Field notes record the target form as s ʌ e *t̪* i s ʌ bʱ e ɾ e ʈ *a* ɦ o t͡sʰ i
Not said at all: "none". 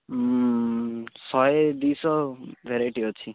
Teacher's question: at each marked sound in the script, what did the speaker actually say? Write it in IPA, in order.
d̪, i

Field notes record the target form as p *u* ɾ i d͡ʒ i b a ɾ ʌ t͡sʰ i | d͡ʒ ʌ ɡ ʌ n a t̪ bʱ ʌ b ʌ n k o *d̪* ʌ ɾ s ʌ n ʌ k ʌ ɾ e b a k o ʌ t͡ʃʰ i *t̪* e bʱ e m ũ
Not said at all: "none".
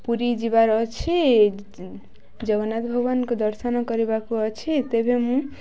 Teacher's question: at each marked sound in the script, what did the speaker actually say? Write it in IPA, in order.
u, d̪, t̪

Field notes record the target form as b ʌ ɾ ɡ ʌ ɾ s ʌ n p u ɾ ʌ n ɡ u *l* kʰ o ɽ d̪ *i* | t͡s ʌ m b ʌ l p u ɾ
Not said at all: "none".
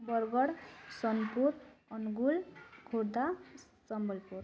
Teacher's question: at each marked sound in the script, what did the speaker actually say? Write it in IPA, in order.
l, a

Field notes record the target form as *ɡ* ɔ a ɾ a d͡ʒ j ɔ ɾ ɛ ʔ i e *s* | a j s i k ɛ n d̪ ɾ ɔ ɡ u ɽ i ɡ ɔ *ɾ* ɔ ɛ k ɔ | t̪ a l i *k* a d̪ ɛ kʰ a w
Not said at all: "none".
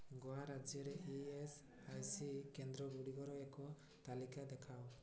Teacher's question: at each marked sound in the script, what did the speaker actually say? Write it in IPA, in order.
ɡ, s, ɾ, k

